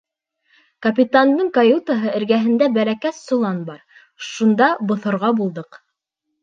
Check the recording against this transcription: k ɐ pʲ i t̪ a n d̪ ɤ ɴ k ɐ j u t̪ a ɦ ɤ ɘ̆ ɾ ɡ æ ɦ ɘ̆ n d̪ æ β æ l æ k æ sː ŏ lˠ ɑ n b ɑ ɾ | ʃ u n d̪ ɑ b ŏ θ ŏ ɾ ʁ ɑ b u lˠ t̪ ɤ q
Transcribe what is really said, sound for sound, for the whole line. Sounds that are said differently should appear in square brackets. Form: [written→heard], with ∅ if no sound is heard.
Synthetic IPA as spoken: k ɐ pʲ i t̪ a n d̪ ɤ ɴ k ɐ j u t̪ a ɦ ɤ ɘ̆ ɾ ɡ æ ɦ ɘ̆ n d̪ æ [β→b] æ l æ k æ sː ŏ lˠ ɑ n b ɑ ɾ | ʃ u n d̪ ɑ b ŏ θ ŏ ɾ ʁ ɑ b u lˠ [t̪→d̪] ɤ q